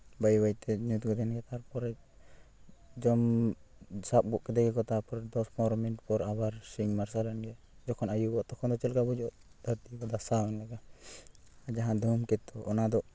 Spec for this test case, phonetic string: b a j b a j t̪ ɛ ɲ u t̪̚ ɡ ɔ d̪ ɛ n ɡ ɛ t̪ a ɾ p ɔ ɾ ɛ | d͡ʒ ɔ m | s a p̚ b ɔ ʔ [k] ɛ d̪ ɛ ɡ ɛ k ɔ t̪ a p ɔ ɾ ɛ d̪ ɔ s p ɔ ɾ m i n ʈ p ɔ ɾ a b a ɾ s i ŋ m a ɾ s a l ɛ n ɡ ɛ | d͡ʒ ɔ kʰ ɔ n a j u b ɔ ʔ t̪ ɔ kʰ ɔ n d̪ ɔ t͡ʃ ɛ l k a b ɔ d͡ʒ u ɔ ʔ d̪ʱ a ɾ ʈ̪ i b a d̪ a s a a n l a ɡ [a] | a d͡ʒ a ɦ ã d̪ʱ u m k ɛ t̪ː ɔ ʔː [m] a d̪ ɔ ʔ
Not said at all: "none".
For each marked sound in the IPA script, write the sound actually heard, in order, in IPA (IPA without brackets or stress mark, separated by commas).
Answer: k, a, n